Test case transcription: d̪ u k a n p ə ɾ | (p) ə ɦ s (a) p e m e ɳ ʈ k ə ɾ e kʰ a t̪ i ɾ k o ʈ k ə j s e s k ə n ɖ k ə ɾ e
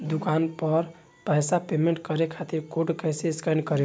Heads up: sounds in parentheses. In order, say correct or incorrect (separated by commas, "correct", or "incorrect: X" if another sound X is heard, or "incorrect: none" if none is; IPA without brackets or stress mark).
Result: correct, correct